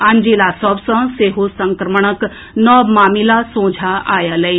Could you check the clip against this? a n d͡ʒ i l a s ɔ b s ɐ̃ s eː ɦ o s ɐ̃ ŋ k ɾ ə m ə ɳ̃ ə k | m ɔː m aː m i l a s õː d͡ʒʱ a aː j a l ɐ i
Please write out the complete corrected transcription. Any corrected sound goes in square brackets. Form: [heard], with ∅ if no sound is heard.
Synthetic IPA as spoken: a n d͡ʒ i l a s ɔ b s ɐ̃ s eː ɦ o s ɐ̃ ŋ k ɾ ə m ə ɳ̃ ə k | [n] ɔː m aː m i l a s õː d͡ʒʱ a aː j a l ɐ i